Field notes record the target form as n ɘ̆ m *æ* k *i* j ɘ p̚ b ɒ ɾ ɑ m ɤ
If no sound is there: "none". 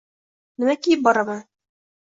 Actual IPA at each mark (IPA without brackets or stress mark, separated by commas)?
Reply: æ, i